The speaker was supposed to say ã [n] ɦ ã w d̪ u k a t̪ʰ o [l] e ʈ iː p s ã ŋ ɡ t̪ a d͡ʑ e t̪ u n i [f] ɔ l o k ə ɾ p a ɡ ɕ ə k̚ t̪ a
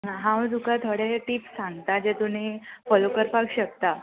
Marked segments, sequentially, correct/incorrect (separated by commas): incorrect, incorrect, correct